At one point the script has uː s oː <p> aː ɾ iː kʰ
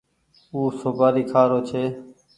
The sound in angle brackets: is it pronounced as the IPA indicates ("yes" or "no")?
no